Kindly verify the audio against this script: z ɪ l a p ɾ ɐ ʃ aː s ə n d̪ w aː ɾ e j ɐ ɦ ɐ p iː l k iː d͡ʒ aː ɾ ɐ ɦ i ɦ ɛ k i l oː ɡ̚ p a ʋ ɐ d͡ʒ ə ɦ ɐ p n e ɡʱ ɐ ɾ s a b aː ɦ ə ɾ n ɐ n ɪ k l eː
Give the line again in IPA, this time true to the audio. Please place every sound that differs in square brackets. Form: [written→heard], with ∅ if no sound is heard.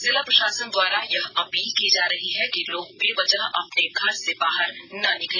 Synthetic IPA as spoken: z ɪ l a p ɾ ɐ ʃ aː s ə n d̪ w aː ɾ [e→a] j ɐ ɦ ɐ p iː l k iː d͡ʒ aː ɾ ɐ ɦ i ɦ ɛ k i l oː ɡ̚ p [a→e] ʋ ɐ d͡ʒ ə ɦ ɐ p n e ɡʱ ɐ ɾ s [a→e] b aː ɦ ə ɾ n ɐ n ɪ k l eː